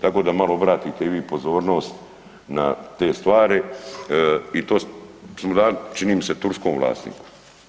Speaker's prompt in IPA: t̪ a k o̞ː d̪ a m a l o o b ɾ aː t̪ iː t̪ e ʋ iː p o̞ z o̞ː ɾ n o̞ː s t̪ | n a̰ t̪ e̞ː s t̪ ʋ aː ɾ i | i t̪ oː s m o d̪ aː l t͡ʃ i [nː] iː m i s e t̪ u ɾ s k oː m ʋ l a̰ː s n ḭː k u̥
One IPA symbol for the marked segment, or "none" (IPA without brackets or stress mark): n